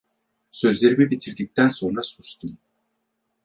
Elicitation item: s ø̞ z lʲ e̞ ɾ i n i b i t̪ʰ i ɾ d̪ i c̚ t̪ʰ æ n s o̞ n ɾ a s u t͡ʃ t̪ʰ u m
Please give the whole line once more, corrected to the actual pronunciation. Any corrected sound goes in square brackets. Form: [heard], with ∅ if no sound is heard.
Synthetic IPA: s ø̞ z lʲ e̞ ɾ i [m] i b i t̪ʰ i ɾ d̪ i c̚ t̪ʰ æ n s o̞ n ɾ a s u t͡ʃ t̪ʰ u m